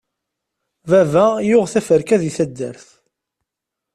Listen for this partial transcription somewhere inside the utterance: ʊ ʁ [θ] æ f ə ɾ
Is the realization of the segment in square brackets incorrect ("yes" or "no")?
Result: no